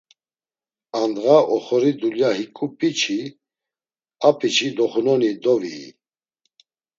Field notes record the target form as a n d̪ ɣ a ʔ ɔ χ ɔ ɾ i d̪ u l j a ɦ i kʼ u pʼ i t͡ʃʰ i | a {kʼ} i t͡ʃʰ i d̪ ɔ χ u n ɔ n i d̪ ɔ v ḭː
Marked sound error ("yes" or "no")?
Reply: yes